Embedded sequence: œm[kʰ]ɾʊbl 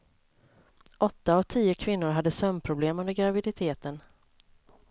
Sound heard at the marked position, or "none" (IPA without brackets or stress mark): pʰ